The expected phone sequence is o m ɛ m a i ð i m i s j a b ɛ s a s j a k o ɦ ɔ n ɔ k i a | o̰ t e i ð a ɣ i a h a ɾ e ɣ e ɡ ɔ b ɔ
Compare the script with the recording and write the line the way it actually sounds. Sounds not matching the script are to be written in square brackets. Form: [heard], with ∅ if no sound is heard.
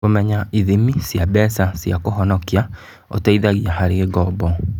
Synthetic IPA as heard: o m ɛ [ɲ] a i ð i m i s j a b ɛ s a s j a k o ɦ ɔ n ɔ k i a | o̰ t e i ð a ɣ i a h a ɾ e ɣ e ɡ ɔ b ɔ